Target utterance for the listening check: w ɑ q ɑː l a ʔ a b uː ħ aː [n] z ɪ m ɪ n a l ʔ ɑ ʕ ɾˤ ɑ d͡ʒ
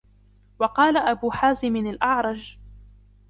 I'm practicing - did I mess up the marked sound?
yes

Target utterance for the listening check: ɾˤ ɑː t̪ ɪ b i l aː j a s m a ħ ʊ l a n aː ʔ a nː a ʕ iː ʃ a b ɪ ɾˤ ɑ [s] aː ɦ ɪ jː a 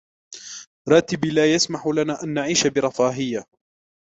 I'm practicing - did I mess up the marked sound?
yes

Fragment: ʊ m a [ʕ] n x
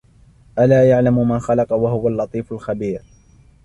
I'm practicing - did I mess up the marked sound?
yes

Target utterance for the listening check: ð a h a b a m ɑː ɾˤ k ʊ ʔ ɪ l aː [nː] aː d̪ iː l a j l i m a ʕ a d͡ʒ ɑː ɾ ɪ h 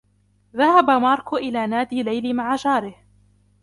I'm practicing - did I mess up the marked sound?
yes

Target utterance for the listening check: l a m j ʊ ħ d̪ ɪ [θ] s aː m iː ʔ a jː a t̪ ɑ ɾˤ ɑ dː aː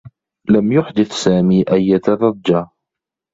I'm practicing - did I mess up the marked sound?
no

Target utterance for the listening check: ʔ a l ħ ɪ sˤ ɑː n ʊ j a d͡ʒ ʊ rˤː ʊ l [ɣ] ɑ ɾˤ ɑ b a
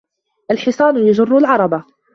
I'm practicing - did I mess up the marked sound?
yes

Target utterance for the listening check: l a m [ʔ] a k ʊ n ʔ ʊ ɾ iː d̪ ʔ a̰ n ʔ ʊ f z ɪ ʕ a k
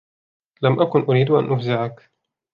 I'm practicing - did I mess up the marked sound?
no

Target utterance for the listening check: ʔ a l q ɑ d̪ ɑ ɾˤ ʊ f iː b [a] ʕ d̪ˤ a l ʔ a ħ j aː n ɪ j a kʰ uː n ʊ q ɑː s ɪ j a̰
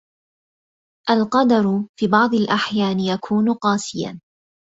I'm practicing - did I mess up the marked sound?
yes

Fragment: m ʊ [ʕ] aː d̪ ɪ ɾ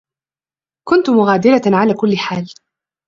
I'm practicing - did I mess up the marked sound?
yes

